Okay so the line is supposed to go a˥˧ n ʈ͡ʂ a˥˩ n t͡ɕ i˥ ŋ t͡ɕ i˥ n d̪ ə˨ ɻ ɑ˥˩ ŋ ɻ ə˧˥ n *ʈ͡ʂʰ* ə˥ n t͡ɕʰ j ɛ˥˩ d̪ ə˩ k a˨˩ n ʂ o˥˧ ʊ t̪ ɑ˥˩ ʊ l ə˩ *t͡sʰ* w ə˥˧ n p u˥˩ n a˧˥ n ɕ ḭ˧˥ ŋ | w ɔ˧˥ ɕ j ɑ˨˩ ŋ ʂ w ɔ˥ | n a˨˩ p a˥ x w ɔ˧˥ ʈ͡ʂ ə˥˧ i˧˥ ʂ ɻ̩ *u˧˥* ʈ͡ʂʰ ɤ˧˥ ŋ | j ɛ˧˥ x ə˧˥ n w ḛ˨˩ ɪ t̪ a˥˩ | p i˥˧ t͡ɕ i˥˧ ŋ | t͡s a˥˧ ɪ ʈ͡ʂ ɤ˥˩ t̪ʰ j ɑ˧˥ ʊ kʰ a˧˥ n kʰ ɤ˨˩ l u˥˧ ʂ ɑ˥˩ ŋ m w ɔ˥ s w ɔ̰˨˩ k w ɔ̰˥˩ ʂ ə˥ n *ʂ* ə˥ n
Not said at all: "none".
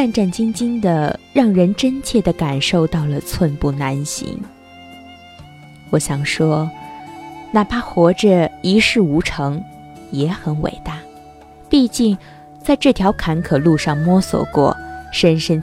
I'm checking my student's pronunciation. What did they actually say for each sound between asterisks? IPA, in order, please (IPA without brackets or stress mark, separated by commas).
ʈ͡ʂ, t͡sʰ, u˧˥, ʂ